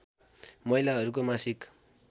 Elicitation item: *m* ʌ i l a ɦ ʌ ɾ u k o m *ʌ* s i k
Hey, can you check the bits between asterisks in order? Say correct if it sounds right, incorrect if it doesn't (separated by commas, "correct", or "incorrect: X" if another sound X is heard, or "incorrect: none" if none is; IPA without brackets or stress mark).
correct, incorrect: a